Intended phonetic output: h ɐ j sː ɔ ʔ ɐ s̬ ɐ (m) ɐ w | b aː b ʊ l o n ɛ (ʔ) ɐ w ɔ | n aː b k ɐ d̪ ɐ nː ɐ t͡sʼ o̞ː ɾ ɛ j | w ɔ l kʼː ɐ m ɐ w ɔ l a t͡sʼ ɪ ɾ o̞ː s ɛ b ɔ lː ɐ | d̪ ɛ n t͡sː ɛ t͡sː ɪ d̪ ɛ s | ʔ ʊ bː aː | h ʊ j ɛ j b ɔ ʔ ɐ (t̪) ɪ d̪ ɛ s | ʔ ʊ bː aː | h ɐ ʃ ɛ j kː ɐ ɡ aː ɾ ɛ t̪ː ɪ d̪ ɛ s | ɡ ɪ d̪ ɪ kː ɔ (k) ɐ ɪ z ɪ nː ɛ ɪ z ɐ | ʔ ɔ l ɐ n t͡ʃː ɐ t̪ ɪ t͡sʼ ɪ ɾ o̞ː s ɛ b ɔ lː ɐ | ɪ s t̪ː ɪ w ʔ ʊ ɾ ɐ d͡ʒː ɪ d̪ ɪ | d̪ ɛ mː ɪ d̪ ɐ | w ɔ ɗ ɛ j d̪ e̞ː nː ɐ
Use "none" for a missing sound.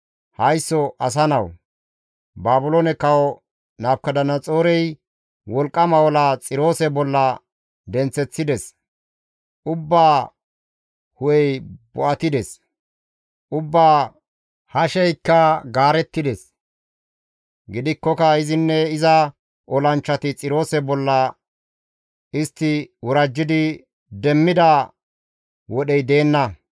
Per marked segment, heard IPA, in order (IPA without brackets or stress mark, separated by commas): n, k, t̪, k